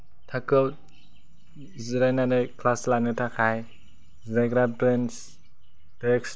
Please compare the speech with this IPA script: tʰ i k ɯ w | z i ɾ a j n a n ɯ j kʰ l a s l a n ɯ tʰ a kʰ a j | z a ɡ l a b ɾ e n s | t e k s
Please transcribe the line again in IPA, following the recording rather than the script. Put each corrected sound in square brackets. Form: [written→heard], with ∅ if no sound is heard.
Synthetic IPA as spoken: tʰ [i→a] k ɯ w | z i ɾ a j n a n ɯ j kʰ l a s l a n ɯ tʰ a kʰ a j | z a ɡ [l→ɾ] a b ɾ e n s | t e k s